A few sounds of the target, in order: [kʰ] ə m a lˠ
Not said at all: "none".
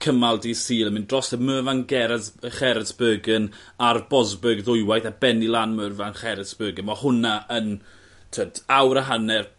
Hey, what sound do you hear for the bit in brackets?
kʰ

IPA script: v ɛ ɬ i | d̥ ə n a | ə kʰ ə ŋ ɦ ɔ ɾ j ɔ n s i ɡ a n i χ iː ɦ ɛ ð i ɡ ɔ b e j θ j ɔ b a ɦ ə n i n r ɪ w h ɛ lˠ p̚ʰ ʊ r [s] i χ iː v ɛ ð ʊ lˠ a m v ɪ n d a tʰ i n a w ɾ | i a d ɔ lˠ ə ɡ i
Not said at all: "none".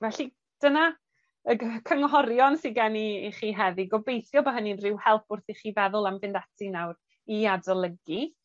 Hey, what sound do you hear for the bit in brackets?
θ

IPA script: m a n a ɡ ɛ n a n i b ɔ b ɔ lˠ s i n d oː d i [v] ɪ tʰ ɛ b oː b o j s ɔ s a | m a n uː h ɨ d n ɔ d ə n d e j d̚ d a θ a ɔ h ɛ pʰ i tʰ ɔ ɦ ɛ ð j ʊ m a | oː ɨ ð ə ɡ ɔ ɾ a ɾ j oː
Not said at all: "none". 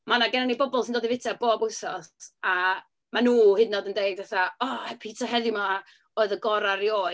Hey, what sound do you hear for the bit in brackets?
v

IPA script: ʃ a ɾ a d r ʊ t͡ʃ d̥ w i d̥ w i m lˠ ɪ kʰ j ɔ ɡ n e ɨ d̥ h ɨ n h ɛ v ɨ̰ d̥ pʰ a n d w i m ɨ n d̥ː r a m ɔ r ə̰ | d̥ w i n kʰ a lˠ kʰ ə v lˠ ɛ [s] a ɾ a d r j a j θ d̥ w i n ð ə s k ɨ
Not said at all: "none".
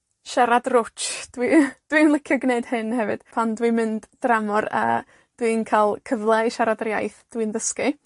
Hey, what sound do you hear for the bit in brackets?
ʃ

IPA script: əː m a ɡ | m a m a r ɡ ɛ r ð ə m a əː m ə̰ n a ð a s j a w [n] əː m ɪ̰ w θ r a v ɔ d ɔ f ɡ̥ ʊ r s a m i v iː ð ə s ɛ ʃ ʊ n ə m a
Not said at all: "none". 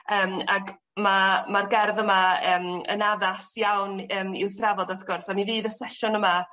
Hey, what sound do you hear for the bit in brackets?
n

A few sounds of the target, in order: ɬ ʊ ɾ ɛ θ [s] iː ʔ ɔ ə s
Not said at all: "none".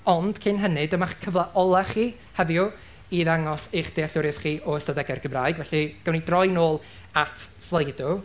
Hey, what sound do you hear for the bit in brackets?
χ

